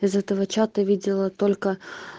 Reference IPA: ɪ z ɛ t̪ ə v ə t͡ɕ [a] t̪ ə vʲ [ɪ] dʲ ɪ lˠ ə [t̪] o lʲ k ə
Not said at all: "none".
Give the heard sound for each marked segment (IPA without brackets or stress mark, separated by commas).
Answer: a, i, t̪